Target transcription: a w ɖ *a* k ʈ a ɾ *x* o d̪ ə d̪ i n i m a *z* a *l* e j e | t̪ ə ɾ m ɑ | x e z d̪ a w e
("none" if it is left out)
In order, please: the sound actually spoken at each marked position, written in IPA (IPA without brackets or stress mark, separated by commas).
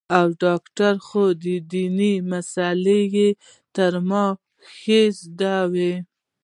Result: ɑ, x, s, l